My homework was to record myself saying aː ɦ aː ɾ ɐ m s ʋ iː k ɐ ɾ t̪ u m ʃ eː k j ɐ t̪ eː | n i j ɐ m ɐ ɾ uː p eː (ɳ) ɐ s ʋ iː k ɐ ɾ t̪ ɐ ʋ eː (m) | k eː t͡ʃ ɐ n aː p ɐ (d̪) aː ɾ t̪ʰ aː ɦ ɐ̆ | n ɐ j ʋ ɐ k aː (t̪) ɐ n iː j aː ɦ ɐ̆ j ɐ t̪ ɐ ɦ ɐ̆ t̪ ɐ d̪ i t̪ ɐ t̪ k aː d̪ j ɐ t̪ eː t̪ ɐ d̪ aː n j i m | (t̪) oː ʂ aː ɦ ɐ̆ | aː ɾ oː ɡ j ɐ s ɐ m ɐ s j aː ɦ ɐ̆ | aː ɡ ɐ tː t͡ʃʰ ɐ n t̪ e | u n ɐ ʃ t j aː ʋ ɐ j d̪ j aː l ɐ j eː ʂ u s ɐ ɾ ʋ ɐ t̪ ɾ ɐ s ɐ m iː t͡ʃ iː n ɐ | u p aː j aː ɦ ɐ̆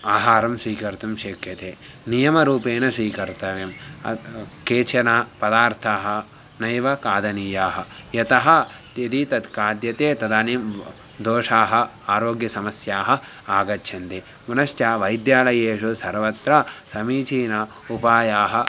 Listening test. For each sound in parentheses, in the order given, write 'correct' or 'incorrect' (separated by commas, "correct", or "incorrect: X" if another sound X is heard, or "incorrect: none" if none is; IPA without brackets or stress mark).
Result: incorrect: n, correct, correct, incorrect: d̪, incorrect: d̪